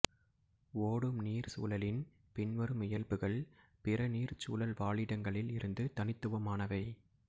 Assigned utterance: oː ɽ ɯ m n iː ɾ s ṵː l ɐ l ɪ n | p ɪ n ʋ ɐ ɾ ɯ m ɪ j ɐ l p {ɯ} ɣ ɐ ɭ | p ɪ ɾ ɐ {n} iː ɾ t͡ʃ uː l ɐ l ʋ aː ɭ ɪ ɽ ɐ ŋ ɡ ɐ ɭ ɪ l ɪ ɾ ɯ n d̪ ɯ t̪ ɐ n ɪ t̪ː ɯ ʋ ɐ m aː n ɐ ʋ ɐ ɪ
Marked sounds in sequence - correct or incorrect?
correct, correct

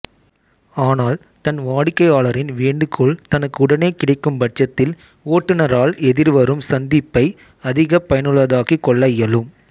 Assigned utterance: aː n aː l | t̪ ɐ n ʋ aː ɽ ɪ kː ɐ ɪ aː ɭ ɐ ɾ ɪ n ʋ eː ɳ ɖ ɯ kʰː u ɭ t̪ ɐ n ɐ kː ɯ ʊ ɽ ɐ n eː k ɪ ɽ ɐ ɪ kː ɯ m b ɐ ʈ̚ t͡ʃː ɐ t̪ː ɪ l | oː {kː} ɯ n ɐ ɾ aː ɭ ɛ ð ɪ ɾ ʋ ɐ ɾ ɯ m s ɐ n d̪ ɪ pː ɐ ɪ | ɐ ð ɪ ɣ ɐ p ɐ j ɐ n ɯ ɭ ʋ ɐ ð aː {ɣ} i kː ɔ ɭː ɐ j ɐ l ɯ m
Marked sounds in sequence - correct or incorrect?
incorrect, correct

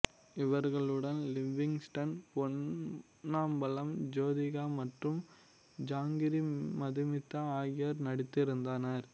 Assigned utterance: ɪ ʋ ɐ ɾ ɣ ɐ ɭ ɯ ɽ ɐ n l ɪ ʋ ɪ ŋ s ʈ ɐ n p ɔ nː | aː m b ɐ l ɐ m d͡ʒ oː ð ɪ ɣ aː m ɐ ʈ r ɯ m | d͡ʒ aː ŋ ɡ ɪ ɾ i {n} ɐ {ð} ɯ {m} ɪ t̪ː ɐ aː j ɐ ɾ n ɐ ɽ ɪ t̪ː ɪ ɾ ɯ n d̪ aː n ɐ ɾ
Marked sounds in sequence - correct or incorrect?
incorrect, correct, correct

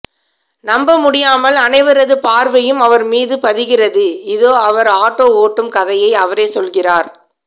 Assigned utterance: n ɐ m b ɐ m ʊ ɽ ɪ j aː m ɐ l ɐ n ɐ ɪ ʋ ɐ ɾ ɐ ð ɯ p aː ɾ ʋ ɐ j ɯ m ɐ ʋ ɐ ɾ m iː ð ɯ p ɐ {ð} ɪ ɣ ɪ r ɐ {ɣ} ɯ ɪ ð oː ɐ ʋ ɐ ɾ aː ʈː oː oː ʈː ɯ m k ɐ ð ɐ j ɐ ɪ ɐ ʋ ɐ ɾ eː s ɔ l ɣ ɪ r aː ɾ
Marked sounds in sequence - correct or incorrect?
correct, incorrect

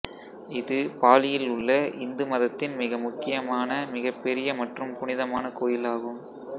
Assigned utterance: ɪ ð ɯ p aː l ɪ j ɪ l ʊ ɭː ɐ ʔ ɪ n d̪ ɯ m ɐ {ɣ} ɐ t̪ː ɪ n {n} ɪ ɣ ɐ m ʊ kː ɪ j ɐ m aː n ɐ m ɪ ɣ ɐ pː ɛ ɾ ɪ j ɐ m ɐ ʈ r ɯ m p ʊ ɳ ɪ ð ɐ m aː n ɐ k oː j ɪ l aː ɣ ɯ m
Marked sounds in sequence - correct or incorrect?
incorrect, incorrect

